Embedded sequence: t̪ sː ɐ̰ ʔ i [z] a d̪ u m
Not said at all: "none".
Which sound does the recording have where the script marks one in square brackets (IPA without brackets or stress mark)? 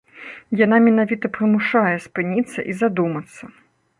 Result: z